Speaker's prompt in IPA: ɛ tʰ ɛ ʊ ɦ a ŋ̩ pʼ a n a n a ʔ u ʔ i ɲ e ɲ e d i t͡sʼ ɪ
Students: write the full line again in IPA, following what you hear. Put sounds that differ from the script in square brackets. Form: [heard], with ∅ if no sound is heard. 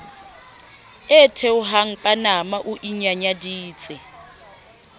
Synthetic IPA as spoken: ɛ tʰ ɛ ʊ ɦ a ŋ̩ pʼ a n a [m] a ʔ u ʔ i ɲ [a] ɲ [a] d [iː] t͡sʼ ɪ